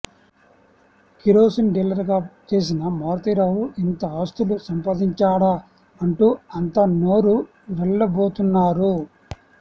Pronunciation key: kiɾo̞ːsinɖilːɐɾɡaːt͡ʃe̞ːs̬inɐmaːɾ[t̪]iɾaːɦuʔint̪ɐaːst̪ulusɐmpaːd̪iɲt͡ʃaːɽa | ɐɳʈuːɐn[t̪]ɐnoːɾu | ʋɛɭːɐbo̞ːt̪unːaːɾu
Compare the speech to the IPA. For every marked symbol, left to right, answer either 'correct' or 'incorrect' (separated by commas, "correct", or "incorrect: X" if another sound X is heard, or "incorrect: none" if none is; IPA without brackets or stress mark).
correct, correct